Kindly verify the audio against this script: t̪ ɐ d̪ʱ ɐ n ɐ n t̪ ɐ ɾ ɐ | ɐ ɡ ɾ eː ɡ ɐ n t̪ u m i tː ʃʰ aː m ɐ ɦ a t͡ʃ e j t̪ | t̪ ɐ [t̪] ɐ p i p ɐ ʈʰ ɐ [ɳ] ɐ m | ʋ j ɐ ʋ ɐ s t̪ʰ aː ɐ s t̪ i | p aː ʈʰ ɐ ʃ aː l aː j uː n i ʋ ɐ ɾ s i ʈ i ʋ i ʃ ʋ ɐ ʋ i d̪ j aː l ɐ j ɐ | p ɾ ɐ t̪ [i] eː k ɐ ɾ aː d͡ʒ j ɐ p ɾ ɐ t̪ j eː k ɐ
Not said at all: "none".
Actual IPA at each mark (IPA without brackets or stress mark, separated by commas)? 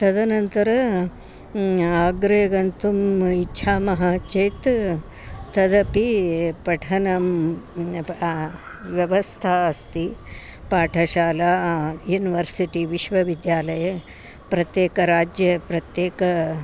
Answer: d̪, n, j